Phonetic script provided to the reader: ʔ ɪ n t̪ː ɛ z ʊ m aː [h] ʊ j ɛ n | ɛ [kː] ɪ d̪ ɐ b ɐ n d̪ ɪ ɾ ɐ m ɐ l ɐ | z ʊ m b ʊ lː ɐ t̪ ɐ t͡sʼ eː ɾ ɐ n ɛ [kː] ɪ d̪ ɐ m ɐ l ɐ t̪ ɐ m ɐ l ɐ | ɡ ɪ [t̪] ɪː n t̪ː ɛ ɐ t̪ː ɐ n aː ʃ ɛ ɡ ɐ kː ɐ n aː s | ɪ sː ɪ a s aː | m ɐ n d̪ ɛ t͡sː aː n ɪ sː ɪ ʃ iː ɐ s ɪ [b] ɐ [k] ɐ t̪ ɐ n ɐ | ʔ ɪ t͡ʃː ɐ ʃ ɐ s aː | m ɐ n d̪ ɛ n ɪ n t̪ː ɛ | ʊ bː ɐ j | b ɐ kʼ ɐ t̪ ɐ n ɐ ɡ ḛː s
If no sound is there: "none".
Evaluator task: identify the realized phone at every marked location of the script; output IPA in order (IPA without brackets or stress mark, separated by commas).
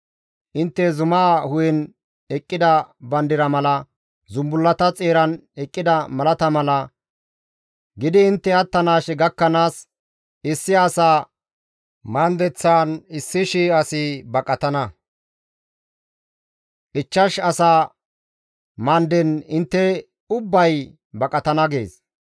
h, kʼː, kʼː, d̪, b, kʼ